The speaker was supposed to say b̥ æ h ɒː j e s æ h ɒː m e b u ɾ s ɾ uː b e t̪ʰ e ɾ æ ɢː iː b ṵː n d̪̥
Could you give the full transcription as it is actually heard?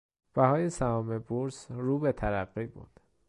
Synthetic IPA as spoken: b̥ æ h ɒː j e s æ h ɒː m e b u ɾ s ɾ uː b e t̪ʰ æ ɾ æ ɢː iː b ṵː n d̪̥

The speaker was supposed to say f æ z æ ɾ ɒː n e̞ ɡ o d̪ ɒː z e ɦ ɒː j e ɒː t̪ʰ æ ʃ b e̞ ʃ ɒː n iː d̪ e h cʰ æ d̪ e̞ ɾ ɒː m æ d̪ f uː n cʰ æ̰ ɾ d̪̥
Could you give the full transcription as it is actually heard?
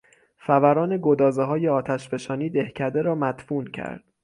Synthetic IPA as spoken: f æ v æ ɾ ɒː n e̞ ɡ o d̪ ɒː z e ɦ ɒː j e ɒː t̪ʰ æ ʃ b e̞ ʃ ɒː n iː d̪ e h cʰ æ d̪ e̞ ɾ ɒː m æ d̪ f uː n cʰ æ̰ ɾ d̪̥

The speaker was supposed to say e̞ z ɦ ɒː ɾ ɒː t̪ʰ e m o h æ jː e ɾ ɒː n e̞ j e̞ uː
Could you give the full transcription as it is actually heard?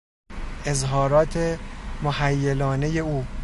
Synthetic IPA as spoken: e̞ z ɦ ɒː ɾ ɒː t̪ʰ e m o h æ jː e l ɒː n e̞ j e̞ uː

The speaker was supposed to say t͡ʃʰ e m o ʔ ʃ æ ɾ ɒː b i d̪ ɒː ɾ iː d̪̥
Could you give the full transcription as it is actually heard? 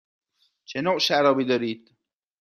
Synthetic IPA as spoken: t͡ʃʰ e n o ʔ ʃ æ ɾ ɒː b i d̪ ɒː ɾ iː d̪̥

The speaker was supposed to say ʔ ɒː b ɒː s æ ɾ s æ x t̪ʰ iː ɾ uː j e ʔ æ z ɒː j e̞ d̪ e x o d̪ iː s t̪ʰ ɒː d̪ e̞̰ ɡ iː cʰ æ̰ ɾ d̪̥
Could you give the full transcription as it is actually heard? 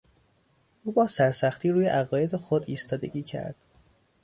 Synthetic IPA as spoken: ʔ uː b ɒː s æ ɾ s æ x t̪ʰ iː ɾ uː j e ʔ æ ɣ ɒː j e̞ d̪ e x o d̪ iː s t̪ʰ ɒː d̪ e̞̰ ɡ iː cʰ æ̰ ɾ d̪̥

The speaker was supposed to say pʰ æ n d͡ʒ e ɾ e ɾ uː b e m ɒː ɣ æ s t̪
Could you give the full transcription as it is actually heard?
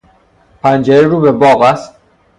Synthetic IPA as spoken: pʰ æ n d͡ʒ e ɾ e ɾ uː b e b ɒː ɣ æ s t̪

